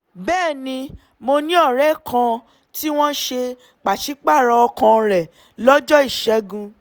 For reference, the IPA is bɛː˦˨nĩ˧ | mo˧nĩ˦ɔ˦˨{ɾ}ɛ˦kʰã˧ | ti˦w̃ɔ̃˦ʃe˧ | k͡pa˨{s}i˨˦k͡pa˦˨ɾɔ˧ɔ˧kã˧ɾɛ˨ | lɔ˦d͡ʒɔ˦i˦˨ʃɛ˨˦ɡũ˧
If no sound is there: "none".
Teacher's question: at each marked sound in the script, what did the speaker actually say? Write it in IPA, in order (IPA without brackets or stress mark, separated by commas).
ɾ, ʃ